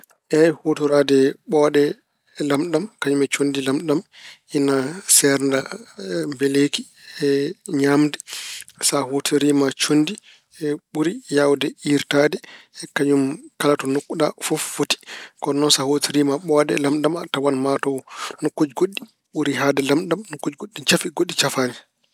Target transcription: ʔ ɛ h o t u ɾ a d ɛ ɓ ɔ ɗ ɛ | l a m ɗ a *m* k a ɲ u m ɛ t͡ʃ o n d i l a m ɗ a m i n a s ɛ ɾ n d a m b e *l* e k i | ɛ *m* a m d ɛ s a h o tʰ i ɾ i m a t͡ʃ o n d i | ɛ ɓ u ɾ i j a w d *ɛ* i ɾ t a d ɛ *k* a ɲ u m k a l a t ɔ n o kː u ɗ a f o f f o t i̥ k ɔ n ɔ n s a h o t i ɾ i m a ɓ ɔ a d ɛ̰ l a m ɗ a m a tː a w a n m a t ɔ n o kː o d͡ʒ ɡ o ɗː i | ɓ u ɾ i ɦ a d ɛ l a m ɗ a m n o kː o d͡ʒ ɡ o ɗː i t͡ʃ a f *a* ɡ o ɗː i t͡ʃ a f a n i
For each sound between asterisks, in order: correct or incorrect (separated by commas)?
correct, correct, incorrect, correct, correct, incorrect